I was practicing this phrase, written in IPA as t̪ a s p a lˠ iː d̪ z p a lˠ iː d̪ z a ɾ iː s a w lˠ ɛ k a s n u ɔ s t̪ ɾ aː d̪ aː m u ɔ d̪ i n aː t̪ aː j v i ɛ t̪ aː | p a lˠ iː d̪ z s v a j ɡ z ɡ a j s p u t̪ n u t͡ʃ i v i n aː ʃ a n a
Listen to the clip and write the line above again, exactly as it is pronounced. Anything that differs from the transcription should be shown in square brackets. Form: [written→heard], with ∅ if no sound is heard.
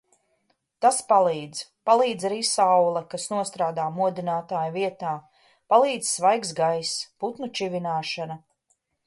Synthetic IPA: t̪ a s p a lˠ iː d̪ z p a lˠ iː d̪ z a ɾ iː s a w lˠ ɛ k a s n u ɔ s t̪ ɾ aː d̪ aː m u ɔ d̪ i n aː t̪ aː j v i ɛ t̪ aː | p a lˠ iː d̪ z s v a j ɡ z ɡ a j s p u t̪ n u t͡ʃ i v i n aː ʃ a n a